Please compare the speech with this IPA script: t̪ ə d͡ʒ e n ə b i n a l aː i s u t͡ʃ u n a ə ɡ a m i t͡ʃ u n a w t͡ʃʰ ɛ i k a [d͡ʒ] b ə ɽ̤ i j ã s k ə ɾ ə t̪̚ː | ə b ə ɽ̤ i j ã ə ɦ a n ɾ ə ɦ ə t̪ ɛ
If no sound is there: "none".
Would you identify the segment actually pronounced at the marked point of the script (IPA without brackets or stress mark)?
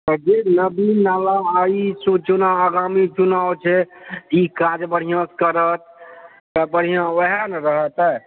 d͡ʒ